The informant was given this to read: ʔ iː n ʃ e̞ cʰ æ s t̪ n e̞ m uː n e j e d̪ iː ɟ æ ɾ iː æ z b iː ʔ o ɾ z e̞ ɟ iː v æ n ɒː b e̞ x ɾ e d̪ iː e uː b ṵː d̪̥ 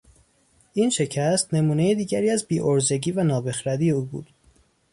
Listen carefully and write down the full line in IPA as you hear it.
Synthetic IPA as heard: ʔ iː n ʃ e̞ cʰ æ s t̪ n e̞ m uː n e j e d̪ iː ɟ æ ɾ iː æ z b iː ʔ o ɾ z e̞ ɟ iː v æ n ɒː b e̞ x ɾ æ d̪ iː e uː b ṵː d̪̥